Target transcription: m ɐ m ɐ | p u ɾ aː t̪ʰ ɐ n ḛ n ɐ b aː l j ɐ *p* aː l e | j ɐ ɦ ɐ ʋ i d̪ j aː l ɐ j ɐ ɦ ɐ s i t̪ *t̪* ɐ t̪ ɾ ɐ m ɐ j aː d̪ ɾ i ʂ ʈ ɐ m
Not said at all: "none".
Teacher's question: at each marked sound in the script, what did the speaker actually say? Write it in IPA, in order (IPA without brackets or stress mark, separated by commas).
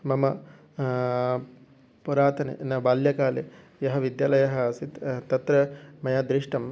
k, t̪